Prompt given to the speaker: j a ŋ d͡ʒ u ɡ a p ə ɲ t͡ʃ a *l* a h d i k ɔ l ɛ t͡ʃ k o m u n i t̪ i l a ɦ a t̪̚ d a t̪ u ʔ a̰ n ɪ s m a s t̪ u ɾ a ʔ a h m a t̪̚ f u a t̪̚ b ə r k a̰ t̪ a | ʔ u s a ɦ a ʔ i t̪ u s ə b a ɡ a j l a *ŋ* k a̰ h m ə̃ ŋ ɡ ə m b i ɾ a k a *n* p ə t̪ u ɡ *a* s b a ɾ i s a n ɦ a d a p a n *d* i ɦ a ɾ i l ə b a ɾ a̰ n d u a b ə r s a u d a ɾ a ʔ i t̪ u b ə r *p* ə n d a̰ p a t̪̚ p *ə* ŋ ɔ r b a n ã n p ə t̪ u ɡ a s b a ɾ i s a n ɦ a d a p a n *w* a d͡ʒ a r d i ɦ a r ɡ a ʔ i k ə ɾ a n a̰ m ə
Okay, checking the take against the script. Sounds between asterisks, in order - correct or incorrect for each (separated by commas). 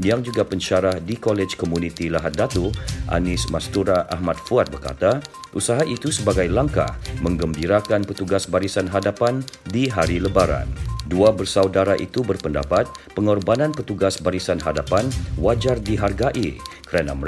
incorrect, correct, correct, correct, correct, correct, correct, correct